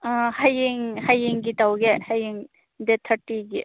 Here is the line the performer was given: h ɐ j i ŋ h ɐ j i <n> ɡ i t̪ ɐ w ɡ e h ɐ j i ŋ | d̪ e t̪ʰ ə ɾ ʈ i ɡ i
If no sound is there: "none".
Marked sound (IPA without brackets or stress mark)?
ŋ